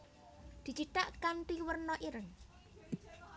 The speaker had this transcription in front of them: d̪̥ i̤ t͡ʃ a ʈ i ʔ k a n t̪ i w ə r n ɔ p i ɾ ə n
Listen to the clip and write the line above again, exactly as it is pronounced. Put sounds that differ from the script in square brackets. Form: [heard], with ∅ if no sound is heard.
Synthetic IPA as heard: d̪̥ i̤ t͡ʃ [i] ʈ [a] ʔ k a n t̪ i w ə r n ɔ [ʔ] i ɾ ə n

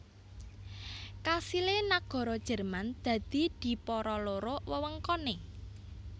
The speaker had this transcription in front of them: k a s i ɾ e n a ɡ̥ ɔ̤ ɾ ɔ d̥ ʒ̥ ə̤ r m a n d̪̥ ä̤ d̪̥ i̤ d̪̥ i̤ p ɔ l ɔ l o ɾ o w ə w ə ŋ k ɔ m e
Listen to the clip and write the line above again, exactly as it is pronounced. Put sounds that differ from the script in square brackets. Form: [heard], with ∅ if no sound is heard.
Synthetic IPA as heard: k a s i [l] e n a ɡ̥ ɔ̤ ɾ ɔ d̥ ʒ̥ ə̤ r m a n d̪̥ ä̤ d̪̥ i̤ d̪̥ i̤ p ɔ [ɾ] ɔ l o ɾ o w ə w ə ŋ k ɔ [n] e

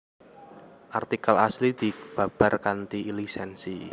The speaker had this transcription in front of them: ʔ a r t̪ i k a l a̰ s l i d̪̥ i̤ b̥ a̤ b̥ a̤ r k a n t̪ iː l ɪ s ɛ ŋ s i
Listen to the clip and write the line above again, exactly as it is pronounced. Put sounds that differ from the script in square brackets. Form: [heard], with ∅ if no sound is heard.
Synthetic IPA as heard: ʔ a r t̪ i k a l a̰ s l i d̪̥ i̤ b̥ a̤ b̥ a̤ r k a n t̪ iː l [i] s ɛ [n] s i

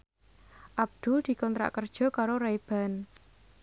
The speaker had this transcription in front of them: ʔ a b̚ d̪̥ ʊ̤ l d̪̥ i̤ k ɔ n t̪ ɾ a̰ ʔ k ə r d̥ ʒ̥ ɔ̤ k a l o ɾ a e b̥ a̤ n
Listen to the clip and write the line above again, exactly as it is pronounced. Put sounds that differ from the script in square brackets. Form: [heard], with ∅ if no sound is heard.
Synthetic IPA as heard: ʔ a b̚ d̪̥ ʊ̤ l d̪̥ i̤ k ɔ n t̪ ɾ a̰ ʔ k ə r d̥ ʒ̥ ɔ̤ k a [ɾ] o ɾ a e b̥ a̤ n

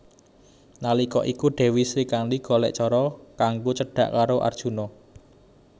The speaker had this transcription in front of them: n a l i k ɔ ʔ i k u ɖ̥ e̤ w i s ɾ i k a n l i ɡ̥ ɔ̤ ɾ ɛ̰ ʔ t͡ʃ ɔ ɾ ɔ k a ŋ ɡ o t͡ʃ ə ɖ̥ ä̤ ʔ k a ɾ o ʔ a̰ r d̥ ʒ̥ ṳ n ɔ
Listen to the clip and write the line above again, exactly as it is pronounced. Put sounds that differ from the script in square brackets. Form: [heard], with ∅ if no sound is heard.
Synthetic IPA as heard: n a l i k ɔ ʔ i k u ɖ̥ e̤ w i s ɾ i k a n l i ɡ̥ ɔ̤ [l] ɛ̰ ʔ t͡ʃ ɔ ɾ ɔ k a ŋ ɡ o t͡ʃ ə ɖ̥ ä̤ ʔ k a ɾ o ʔ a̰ r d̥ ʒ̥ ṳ n ɔ

